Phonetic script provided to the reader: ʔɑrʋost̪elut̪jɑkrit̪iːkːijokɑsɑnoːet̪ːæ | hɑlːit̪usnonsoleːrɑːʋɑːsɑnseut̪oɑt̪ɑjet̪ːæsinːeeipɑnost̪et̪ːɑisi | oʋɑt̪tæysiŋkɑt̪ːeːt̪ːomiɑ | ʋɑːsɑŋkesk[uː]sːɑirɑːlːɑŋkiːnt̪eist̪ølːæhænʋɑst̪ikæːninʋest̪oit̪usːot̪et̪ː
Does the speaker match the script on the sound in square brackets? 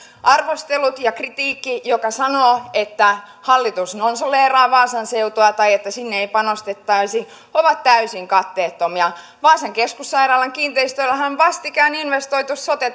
no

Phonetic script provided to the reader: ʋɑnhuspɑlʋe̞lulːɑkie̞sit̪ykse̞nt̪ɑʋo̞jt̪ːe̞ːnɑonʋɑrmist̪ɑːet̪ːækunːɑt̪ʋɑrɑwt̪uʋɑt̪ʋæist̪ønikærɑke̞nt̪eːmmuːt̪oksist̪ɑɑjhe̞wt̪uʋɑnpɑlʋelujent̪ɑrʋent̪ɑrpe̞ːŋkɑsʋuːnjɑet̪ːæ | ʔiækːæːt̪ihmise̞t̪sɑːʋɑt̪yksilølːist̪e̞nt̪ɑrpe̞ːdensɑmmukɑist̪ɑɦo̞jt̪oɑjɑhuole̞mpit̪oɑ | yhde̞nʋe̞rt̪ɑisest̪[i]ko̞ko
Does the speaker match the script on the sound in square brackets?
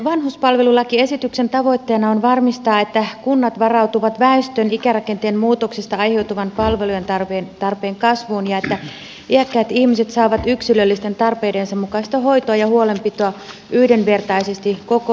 yes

